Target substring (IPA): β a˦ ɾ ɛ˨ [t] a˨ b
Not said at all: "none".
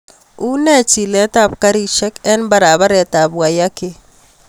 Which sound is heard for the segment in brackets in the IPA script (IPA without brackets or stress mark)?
t